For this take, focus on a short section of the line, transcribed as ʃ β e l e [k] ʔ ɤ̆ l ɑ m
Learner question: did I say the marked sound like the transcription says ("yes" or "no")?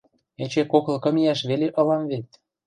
no